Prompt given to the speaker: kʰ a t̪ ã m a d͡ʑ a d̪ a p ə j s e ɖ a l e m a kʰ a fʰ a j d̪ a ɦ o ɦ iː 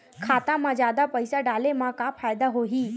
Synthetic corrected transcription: kʰ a t̪ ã m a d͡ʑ a d̪ a p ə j s a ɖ a l e m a k a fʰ a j d̪ a ɦ o ɦ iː